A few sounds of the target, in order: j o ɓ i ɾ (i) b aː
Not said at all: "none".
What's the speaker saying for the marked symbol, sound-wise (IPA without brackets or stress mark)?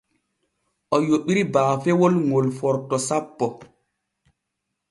i